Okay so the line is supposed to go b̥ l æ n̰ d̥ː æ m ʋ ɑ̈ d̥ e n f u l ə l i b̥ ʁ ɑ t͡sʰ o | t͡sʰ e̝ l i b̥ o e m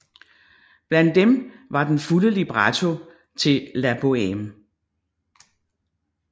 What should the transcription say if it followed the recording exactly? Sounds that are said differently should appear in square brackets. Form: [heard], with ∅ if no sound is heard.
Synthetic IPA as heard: b̥ l æ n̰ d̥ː [e] m ʋ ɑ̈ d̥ e n f u l ə l i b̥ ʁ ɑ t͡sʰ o | t͡sʰ e̝ l [æ] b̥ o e m